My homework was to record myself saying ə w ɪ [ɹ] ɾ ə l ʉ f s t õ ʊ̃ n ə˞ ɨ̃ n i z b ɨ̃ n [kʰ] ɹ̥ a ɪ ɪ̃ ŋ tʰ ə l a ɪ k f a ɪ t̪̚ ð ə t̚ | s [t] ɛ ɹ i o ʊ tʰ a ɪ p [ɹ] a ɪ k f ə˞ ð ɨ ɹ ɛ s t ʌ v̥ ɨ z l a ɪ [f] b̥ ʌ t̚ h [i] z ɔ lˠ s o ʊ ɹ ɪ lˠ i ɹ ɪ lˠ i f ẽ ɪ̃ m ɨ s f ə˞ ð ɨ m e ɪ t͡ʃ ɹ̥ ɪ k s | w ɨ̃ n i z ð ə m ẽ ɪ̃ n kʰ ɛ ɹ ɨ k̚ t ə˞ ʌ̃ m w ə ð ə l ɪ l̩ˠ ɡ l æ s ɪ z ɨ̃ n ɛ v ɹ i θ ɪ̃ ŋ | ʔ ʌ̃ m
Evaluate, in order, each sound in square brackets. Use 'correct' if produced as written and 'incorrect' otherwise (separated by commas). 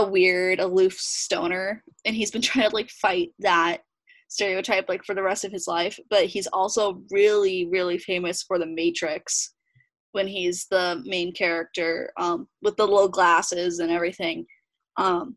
correct, incorrect, correct, incorrect, correct, correct